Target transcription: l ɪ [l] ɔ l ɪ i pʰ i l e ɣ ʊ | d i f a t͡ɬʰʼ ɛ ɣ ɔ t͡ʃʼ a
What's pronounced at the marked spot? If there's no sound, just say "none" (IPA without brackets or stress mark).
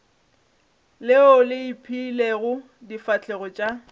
none